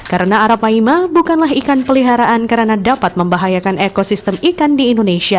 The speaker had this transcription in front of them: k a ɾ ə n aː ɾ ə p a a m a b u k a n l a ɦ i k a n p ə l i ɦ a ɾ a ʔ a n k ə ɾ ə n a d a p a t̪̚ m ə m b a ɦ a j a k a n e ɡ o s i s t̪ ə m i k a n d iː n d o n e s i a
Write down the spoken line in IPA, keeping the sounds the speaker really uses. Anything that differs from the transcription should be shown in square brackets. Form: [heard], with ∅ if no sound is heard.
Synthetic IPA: k a ɾ ə n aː ɾ [a] p a [i] m a b u k a n l a ɦ i k a n p ə l i ɦ a ɾ a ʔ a n k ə ɾ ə n a d a p a t̪̚ m ə m b a ɦ a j a k a n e [k] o s i s t̪ ə m i k a n d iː n d o n e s i a